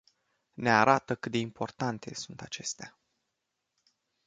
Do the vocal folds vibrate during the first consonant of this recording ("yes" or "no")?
yes